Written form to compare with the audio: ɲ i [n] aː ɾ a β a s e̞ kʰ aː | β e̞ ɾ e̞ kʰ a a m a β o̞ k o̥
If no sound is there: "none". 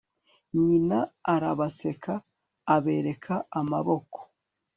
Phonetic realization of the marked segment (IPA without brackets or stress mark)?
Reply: n